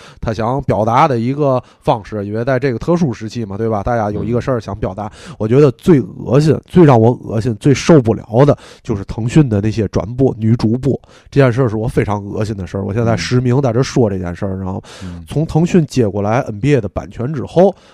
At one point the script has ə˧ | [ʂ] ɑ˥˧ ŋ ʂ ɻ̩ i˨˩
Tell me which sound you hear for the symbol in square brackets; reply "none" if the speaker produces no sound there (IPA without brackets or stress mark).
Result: f